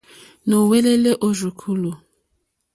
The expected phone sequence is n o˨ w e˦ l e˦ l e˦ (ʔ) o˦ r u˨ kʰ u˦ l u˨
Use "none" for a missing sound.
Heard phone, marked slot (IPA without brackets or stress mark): ʔ